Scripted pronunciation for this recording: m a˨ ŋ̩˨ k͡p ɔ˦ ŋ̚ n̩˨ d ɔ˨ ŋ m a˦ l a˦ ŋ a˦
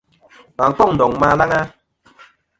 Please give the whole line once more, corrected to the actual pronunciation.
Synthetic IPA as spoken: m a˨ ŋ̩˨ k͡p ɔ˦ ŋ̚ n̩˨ d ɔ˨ ŋ m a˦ l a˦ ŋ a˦

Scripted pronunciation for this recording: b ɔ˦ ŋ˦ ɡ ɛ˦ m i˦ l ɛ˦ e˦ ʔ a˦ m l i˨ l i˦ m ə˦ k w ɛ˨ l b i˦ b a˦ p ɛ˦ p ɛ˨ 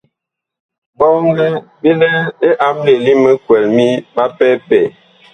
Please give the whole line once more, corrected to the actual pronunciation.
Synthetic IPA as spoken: b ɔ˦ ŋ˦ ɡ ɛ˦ b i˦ l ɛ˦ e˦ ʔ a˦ m l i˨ l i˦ m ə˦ k w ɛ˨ l m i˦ b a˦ p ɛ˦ p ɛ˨

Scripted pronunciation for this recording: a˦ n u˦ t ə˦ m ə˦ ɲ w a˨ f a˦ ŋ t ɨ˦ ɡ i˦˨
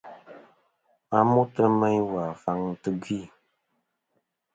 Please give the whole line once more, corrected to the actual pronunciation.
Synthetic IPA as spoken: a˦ m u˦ t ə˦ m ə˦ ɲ w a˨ f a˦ ŋ t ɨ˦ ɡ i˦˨

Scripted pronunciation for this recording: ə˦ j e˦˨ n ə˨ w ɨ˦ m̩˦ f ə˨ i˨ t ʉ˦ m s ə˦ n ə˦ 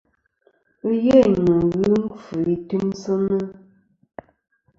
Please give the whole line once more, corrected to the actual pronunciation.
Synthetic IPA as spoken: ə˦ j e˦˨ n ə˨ ɣ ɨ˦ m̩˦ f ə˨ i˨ t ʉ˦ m s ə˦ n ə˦

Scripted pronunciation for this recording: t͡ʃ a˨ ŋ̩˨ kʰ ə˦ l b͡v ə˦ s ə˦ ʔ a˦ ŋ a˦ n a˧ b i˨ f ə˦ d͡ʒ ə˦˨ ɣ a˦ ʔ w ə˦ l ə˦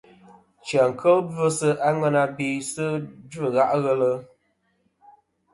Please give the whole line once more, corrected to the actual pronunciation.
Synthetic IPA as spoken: t͡ʃ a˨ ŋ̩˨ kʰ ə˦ l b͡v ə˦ s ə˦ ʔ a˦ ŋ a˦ n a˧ b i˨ s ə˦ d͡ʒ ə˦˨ ɣ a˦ ʔ ɣ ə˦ l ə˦

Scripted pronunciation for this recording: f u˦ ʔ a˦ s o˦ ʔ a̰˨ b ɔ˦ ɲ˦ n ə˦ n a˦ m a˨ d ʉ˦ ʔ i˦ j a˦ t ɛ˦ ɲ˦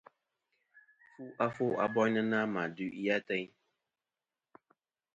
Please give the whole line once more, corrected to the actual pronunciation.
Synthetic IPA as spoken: f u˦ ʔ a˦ f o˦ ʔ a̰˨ b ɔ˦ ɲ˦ n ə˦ n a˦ m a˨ d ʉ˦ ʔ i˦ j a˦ t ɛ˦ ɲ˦

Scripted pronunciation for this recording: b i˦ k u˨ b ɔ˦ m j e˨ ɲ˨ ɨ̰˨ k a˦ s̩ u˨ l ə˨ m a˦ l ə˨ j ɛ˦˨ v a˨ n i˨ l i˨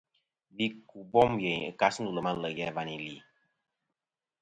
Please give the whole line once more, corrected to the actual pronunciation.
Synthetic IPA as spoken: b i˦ k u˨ b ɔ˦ m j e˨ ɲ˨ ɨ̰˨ k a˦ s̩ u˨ l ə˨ m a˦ l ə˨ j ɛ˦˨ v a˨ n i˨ l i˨

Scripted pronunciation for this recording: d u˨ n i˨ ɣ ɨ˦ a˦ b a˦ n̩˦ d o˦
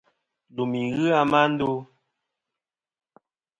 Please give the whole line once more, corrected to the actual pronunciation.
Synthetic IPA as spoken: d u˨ m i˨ ɣ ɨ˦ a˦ m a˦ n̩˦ d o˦

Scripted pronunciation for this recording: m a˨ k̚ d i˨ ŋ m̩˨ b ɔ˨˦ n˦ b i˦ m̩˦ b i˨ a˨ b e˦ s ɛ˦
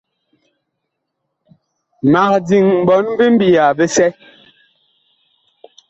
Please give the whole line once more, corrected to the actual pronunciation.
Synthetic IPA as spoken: m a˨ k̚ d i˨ ŋ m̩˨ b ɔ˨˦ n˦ b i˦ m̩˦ b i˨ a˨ b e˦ s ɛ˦

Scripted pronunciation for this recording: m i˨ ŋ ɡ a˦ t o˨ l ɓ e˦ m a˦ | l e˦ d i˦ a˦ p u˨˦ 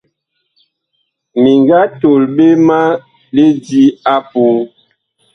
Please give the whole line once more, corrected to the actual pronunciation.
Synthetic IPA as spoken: m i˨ ŋ ɡ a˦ t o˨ l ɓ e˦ m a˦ | l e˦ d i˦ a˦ p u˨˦

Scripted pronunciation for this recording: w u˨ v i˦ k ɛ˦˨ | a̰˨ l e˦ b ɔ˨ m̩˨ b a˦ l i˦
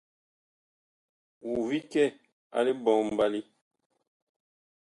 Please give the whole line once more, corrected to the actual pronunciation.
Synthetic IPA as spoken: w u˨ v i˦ k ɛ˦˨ | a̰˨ l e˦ b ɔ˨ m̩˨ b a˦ l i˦

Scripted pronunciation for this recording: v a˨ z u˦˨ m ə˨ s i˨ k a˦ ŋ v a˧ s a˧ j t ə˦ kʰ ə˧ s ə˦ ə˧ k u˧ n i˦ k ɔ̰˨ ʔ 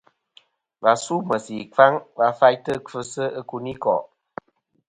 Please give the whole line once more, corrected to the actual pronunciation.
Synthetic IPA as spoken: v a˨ s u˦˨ m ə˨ s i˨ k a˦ ŋ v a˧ f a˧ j t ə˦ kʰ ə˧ s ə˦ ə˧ k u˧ n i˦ k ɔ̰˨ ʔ

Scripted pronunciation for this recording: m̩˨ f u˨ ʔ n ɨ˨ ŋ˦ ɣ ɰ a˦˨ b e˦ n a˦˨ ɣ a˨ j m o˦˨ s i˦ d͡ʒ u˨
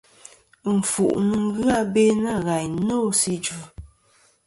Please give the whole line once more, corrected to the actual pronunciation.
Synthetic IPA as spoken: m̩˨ f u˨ ʔ n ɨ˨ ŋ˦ ɣ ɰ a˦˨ b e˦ n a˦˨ ɣ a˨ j n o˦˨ s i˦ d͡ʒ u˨

